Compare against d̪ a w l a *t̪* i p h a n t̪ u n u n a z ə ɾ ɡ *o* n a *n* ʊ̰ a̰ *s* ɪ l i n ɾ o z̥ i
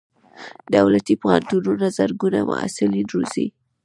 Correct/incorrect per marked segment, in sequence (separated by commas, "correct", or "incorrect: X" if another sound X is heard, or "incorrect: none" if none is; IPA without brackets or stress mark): correct, incorrect: u, incorrect: m, correct